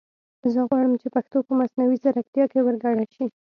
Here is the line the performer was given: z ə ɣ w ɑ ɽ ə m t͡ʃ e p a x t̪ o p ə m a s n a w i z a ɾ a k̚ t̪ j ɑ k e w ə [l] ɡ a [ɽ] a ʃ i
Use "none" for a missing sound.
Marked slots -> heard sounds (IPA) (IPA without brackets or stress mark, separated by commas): ɾ, ɽ